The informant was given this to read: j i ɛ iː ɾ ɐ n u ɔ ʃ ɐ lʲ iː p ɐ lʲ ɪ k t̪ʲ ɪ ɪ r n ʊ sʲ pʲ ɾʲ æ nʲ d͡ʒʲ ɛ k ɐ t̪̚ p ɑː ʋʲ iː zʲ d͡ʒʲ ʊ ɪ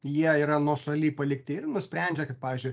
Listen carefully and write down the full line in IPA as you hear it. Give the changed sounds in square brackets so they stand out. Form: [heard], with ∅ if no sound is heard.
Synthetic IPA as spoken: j i ɛ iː ɾ ɐ n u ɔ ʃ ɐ lʲ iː p ɐ lʲ ɪ k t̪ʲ ɪ ɪ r n ʊ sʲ pʲ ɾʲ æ nʲ d͡ʒʲ ɛ k ɐ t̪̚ p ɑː ʋʲ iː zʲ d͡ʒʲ ʊ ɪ